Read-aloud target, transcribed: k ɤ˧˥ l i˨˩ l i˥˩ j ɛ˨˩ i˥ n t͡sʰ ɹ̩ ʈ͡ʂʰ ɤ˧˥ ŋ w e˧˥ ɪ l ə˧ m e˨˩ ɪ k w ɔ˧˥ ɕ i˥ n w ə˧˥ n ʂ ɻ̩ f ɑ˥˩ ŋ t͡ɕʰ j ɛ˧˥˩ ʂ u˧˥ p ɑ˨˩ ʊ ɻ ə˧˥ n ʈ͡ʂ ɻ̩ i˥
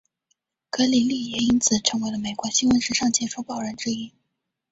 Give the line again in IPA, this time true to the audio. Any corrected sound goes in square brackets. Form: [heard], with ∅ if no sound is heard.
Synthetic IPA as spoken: k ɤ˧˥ l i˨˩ l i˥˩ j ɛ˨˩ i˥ n t͡sʰ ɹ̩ ʈ͡ʂʰ ɤ˧˥ ŋ w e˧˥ ɪ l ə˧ m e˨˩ ɪ k w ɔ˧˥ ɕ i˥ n w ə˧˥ n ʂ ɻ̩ [ʂ] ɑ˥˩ ŋ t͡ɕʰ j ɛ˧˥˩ ʂ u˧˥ p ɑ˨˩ ʊ ɻ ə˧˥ n ʈ͡ʂ ɻ̩ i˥